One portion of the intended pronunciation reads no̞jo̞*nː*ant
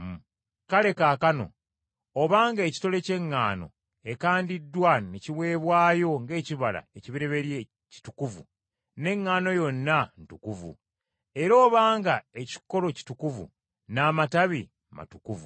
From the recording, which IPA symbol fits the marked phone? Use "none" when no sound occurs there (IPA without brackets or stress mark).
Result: nː